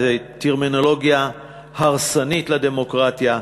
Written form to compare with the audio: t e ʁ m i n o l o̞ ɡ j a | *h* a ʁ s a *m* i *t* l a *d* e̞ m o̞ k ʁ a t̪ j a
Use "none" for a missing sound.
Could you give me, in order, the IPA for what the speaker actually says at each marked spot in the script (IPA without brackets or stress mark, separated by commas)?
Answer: h, n, t, d